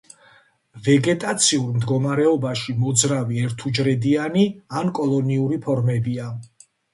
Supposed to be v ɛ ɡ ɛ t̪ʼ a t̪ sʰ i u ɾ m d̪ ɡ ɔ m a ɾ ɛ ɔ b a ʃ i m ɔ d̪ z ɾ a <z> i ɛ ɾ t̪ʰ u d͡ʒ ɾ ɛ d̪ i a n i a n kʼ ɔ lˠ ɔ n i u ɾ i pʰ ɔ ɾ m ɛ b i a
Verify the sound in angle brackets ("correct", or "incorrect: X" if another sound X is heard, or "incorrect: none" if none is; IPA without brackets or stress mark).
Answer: incorrect: v